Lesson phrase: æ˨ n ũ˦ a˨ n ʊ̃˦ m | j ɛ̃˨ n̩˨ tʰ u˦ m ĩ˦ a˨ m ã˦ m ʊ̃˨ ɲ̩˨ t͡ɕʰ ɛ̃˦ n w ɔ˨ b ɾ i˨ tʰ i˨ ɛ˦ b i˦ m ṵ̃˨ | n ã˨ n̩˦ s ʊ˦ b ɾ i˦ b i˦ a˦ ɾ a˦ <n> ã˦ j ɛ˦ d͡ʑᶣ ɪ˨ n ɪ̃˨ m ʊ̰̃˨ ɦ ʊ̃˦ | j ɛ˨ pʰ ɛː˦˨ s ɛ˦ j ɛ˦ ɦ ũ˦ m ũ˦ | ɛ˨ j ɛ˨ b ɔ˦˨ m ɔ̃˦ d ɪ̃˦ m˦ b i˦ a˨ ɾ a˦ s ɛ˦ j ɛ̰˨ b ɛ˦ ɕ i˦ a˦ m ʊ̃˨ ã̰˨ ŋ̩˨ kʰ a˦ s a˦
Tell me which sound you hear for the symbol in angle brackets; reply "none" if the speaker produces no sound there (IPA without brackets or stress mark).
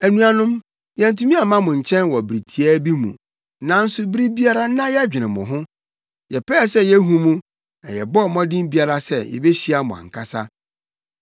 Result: n